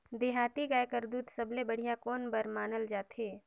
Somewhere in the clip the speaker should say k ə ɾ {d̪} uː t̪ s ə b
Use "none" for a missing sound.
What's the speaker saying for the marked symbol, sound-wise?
d̪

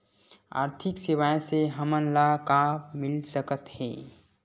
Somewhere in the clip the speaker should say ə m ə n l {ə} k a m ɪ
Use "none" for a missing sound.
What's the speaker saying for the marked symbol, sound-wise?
a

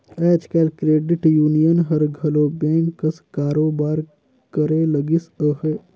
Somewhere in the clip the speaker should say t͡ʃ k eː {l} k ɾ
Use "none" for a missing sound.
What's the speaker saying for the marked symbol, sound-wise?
l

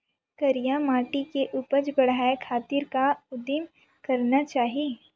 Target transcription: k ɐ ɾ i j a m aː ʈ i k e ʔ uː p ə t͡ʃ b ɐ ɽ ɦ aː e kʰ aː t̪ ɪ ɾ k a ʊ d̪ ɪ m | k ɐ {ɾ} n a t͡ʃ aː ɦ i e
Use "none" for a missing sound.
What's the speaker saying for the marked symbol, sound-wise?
ɾ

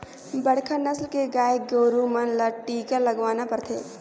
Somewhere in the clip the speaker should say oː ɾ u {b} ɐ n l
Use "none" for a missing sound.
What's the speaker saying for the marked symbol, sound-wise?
m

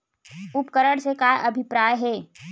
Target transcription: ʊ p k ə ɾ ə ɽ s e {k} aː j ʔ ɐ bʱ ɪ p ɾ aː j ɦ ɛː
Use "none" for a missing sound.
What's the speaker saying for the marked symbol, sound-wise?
k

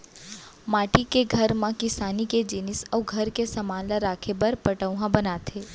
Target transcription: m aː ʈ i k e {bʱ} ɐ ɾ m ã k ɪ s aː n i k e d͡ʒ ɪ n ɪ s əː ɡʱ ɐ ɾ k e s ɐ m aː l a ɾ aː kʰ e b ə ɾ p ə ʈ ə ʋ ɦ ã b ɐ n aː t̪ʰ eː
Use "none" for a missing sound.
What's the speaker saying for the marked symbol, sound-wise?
ɡʱ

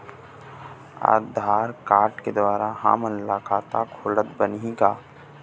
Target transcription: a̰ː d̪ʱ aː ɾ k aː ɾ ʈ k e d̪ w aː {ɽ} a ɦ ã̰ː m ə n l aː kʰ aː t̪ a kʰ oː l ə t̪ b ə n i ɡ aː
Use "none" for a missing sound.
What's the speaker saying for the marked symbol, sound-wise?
ɾ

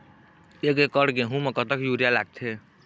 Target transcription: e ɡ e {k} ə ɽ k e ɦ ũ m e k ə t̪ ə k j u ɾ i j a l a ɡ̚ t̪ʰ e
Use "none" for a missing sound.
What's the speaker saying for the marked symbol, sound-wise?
k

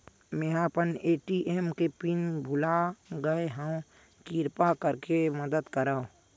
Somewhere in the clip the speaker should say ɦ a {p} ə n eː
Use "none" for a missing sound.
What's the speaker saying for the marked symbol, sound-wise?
p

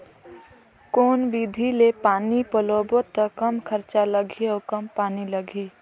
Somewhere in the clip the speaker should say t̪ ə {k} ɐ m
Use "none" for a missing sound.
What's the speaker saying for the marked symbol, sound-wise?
k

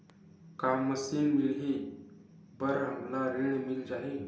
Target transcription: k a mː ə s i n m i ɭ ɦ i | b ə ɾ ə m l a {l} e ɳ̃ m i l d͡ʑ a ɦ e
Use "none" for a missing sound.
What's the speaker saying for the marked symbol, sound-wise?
ɾ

